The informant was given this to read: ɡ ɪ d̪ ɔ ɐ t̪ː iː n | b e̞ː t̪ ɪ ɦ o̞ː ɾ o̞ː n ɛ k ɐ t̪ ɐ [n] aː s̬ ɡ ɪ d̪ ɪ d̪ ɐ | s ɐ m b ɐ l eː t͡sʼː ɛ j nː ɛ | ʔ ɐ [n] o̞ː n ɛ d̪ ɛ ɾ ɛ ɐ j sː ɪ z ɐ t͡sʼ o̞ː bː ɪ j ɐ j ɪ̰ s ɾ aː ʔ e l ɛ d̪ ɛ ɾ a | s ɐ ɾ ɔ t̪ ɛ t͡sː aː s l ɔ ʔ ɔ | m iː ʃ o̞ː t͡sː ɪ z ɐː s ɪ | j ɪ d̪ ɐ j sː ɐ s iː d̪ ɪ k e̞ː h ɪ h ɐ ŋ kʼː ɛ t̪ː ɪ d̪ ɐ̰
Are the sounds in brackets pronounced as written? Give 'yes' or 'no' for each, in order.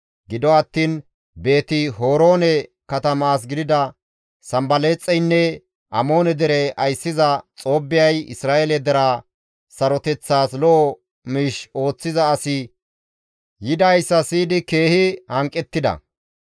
no, no

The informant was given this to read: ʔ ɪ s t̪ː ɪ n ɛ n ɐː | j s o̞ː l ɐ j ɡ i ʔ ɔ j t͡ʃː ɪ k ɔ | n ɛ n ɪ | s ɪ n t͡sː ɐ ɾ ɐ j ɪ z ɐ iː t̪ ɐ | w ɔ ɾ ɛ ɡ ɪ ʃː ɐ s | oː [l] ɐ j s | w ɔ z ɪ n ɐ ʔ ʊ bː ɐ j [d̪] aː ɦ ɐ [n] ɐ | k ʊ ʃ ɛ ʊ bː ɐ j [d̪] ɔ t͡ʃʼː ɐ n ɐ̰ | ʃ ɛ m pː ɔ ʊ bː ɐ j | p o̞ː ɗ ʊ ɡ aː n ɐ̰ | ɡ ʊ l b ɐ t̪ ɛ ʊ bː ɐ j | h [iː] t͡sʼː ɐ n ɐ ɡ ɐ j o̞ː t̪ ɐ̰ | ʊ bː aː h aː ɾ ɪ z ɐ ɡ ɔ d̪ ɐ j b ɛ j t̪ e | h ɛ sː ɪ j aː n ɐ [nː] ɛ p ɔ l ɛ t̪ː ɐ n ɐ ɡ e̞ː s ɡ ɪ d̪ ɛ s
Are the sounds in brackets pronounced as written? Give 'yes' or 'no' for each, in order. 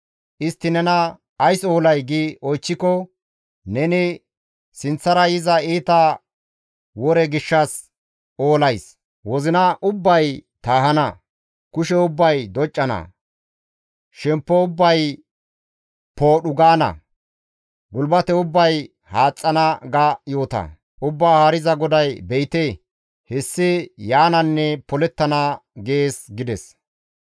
yes, no, yes, yes, no, yes

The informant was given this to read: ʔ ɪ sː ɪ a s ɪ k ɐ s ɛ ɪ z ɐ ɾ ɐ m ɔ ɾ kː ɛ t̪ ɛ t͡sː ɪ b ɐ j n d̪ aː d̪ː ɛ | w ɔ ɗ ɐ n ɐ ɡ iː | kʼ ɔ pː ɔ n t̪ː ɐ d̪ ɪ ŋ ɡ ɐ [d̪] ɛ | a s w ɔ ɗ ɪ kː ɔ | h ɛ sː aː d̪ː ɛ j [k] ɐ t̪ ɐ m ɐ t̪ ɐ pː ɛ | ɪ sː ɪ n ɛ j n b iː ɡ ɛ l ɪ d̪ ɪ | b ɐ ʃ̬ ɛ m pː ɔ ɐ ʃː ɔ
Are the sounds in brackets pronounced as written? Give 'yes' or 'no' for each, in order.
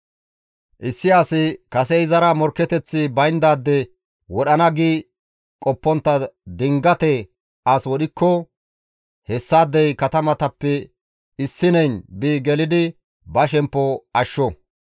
no, yes

